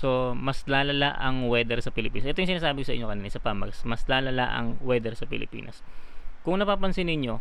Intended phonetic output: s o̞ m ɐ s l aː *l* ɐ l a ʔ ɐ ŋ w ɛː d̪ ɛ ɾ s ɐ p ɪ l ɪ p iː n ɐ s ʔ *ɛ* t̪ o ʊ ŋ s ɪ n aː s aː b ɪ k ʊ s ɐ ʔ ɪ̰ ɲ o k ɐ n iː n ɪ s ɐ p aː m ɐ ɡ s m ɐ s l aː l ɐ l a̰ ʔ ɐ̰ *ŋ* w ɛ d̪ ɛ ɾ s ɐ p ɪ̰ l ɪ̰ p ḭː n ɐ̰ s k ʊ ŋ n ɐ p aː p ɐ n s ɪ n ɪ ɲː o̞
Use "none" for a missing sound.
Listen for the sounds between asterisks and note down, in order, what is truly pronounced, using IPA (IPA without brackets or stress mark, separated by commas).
l, ɛ, ŋ